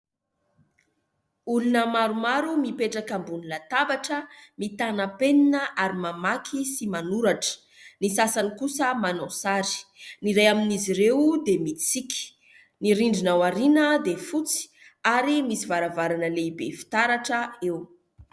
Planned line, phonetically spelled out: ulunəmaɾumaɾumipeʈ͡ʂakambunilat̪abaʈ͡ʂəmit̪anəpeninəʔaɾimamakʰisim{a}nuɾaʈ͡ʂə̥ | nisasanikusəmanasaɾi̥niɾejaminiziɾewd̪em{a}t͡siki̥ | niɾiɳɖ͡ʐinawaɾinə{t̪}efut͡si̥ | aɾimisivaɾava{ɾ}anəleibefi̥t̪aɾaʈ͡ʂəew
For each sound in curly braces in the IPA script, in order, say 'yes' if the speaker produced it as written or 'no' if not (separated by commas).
yes, no, no, yes